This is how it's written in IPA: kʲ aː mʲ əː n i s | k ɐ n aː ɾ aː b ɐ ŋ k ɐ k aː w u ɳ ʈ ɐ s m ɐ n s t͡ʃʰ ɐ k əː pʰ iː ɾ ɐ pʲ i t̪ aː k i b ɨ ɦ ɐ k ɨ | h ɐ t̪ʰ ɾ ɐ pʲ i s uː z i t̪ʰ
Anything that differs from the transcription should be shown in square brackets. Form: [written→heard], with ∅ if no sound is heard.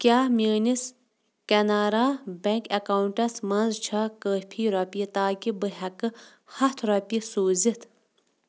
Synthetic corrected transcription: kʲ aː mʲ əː n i s | k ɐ n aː ɾ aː b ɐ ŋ k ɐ k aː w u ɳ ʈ ɐ s m ɐ n [s→z] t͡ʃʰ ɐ k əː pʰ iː ɾ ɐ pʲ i t̪ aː k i b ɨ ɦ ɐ k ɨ | h ɐ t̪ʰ ɾ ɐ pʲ i s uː z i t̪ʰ